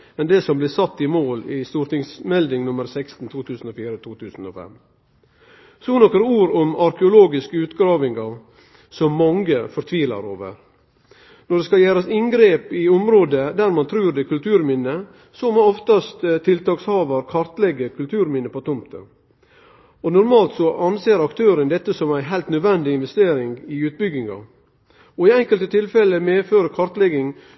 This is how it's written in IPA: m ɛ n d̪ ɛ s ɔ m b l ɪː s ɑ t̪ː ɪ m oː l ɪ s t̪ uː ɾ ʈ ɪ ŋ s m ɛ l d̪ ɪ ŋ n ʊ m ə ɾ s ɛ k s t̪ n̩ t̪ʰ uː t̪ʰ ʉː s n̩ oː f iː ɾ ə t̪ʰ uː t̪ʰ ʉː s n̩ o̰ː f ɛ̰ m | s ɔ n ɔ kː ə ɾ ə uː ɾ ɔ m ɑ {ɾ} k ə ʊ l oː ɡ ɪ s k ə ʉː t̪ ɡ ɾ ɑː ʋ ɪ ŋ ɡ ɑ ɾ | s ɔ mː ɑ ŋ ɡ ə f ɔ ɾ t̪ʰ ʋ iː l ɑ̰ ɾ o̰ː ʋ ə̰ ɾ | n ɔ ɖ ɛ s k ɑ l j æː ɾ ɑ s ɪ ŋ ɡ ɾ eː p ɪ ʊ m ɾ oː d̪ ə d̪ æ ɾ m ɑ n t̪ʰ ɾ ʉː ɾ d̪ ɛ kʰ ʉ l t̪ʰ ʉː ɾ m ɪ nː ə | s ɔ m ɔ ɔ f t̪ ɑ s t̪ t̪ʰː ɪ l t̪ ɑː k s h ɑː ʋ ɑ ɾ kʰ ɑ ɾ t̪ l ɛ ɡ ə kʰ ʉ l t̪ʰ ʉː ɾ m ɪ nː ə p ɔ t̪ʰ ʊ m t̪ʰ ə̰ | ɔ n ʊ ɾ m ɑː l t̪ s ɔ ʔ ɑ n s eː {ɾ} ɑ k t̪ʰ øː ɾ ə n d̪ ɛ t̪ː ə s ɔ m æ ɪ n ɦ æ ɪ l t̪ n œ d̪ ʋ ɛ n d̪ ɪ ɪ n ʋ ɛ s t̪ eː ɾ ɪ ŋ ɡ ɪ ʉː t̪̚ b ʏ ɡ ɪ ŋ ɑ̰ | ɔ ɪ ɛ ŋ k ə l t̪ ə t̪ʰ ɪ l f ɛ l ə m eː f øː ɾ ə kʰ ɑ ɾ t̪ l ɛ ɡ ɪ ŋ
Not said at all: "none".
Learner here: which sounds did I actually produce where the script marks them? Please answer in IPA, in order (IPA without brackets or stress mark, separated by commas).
ɾ, ɾ